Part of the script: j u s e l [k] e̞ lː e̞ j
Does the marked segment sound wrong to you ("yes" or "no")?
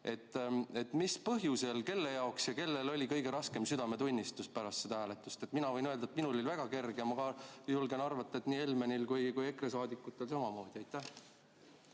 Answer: no